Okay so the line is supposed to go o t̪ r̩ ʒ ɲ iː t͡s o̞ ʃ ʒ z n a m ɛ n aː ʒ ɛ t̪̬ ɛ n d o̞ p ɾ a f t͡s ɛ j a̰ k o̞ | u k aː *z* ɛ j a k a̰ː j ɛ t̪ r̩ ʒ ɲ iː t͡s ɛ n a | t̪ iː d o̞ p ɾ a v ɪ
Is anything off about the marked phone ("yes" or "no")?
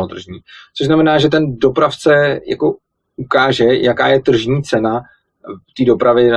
yes